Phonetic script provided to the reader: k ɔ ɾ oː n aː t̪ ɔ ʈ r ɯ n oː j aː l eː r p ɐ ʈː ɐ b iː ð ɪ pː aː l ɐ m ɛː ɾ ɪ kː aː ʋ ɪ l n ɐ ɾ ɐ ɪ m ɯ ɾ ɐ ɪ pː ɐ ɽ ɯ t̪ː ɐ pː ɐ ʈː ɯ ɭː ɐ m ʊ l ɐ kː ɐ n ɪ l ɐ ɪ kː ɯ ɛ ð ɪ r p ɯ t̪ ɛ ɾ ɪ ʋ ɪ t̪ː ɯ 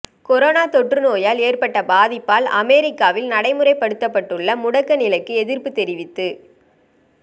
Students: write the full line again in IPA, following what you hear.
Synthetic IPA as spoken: k ɔ ɾ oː n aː t̪ ɔ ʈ r ɯ n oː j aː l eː r p ɐ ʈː ɐ b aː ð ɪ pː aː l ɐ m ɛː ɾ ɪ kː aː ʋ ɪ l n ɐ ɽ ɐ ɪ m ɯ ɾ ɐ ɪ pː ɐ ɽ ɯ t̪ː ɐ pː ɐ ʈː ɯ ɭː ɐ m ʊ ɽ ɐ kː ɐ n ɪ l ɐ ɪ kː ɯ ɛ ð ɪ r p ɯ t̪ ɛ ɾ ɪ ʋ ɪ t̪ː ɯ